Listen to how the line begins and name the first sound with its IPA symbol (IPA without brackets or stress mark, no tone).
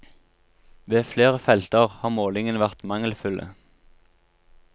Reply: ʋ